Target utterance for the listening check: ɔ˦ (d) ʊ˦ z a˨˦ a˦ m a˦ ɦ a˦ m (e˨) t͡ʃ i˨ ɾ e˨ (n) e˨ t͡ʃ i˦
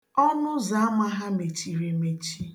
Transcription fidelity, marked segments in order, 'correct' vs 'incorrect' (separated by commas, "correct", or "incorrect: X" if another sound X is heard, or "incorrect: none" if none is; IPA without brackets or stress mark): incorrect: n, correct, incorrect: m